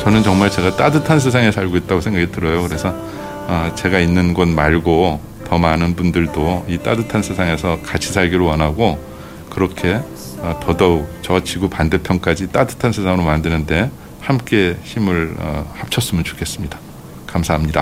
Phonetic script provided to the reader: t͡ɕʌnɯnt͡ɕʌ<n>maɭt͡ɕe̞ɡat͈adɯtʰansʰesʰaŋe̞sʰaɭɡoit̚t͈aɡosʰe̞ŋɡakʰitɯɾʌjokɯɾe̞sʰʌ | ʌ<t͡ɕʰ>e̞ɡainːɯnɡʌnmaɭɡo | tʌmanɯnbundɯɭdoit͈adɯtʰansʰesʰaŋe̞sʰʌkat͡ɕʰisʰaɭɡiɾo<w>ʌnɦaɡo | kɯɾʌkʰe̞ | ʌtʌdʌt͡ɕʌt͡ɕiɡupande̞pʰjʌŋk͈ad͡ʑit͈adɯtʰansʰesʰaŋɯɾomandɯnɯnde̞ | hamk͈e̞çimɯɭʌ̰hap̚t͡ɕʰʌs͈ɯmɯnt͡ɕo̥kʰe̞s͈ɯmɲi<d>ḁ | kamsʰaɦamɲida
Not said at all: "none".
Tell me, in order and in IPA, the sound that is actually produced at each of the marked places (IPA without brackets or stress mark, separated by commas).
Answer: ŋ, t͡ɕ, w, d